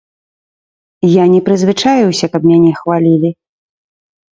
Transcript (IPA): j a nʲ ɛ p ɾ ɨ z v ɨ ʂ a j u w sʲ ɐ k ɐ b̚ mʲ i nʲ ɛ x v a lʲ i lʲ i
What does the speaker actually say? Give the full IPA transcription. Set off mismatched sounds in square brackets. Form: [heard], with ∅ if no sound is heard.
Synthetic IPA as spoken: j a nʲ ɛ p ɾ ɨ z v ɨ [t͡ʂ] a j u w sʲ ɐ k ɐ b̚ mʲ [a] nʲ ɛ x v a lʲ i lʲ i